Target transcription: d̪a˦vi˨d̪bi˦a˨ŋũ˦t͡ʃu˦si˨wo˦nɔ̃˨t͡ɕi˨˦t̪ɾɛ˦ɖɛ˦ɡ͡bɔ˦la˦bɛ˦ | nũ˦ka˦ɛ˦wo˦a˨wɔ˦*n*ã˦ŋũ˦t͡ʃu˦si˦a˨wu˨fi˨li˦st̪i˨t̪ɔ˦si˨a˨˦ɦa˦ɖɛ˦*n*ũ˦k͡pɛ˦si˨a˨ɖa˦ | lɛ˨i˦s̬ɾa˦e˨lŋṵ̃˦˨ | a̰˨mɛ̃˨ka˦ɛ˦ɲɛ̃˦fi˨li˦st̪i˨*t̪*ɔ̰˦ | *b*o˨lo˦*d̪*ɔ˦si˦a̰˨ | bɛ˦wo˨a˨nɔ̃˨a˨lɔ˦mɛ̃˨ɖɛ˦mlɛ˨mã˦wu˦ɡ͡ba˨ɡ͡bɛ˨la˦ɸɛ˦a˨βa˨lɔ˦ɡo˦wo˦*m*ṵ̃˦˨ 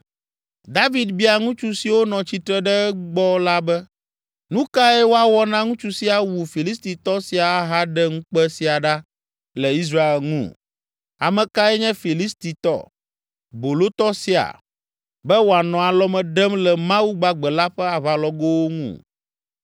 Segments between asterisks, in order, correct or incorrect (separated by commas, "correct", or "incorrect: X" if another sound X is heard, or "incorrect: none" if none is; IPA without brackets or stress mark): correct, incorrect: ŋ, correct, correct, incorrect: t̪, incorrect: ŋ